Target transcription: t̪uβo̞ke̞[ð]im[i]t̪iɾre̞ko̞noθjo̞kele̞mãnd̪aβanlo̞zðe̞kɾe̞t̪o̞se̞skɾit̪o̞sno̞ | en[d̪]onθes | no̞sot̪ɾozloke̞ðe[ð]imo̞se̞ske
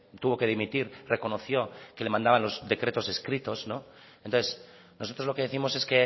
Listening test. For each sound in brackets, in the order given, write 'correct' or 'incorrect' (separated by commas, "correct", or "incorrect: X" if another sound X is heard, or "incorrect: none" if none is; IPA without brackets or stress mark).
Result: correct, correct, incorrect: t̪, incorrect: θ